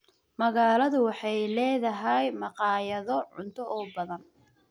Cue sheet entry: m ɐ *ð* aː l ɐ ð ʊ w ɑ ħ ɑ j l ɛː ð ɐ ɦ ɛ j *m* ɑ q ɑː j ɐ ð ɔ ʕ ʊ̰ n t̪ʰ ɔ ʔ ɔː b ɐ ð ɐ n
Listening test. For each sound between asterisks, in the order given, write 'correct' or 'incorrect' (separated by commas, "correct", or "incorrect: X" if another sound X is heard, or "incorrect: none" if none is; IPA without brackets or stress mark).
incorrect: ɣ, correct